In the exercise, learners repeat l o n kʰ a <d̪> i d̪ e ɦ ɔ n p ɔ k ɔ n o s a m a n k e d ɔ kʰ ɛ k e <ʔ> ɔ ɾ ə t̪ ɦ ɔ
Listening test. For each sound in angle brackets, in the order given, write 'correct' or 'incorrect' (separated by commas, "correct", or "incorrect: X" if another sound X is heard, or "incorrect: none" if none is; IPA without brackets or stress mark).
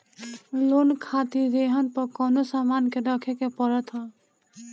incorrect: t̪, incorrect: p